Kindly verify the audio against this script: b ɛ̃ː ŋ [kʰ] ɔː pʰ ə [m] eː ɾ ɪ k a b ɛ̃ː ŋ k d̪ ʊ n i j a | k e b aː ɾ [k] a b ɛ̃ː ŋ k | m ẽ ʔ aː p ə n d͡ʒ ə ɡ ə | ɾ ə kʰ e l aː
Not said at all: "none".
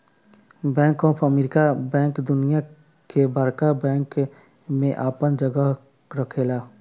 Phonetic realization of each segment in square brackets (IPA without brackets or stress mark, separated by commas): k, m, k